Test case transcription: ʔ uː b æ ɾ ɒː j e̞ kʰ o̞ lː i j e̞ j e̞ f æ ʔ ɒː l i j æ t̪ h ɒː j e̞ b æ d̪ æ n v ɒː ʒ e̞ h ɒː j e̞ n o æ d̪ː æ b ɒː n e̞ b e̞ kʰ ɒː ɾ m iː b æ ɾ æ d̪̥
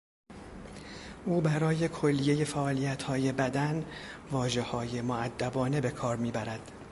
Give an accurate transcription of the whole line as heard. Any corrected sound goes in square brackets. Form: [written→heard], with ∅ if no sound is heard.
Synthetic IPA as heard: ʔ uː b æ ɾ ɒː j e̞ kʰ o̞ lː i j e̞ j e̞ f æ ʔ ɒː l i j æ t̪ h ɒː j e̞ b æ d̪ æ n v ɒː ʒ e̞ h ɒː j e̞ [n→m] o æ d̪ː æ b ɒː n e̞ b e̞ kʰ ɒː ɾ m iː b æ ɾ æ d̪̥